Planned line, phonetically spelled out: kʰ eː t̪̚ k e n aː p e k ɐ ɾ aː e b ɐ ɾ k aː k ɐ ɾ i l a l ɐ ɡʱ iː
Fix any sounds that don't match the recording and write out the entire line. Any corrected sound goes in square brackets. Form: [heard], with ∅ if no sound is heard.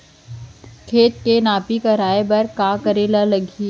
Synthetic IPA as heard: kʰ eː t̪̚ k e n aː p [i] k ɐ ɾ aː e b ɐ ɾ k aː k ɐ ɾ [e] l a l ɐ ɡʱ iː